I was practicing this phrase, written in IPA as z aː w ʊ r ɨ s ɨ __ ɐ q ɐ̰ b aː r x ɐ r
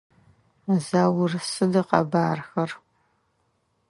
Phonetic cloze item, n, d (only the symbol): d